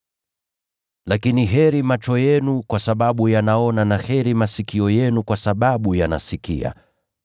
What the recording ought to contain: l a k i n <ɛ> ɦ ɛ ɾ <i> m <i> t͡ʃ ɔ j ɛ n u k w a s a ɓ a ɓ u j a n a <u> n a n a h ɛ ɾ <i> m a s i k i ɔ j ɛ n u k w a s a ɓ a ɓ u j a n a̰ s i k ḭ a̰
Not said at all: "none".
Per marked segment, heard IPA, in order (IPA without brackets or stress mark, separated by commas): i, i, a, ɔ, i